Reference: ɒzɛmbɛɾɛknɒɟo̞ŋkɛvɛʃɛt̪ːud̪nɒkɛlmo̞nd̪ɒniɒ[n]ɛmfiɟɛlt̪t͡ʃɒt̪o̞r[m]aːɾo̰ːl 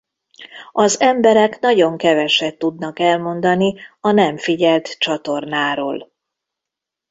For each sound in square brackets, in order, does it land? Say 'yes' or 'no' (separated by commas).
yes, no